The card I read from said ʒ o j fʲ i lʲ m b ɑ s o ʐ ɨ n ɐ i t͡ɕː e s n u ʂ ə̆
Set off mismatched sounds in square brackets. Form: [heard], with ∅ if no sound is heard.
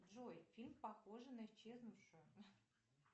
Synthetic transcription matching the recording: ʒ o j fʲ i lʲ m [p] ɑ [x] o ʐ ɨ n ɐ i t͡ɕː e [z] n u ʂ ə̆